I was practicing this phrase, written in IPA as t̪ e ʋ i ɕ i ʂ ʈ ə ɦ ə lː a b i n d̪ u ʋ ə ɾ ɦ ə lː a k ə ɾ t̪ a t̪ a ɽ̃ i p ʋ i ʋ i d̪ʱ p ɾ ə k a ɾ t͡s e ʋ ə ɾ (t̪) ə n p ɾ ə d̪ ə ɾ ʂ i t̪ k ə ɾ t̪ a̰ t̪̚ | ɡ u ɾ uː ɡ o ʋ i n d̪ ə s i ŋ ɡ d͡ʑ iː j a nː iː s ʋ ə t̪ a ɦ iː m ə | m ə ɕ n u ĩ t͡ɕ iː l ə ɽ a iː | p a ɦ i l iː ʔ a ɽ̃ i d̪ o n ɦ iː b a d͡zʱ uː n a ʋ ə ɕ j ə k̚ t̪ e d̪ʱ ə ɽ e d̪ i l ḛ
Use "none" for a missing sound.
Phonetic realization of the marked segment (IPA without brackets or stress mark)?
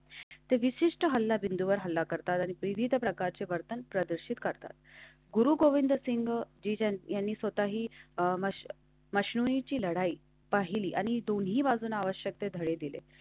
t̪